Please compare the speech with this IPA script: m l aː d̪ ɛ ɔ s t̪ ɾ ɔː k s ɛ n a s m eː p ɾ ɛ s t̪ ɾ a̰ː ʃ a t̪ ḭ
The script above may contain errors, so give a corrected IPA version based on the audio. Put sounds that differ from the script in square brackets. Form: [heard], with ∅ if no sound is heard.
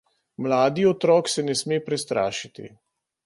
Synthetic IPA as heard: m l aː d̪ [i] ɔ [∅] t̪ ɾ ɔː k s ɛ n [ɛ] s m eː p ɾ ɛ s t̪ ɾ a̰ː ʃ [i] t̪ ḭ